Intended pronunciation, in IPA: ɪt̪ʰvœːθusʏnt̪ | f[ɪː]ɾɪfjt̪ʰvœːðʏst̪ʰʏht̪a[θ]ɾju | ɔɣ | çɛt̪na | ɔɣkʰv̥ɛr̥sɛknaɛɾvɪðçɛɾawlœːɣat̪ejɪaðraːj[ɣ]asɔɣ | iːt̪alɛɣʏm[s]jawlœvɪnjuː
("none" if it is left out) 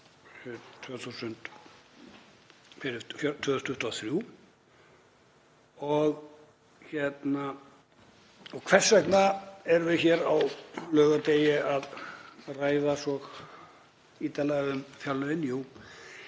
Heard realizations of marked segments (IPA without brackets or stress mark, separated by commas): ɪ, θ, ð, f